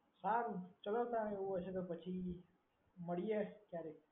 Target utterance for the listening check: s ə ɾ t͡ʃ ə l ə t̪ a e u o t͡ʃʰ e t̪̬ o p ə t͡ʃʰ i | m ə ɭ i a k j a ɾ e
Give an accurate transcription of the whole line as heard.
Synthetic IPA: s a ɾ t͡ʃ ə l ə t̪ a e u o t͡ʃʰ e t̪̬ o p ə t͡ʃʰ i | m ə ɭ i e k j a ɾ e